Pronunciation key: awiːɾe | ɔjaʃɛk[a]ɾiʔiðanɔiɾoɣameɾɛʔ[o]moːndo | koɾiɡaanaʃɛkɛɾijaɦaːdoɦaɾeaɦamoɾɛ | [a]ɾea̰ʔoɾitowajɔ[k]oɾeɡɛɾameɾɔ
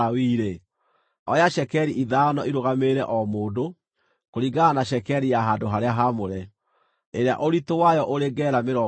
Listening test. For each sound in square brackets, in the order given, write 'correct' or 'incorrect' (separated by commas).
incorrect, incorrect, incorrect, incorrect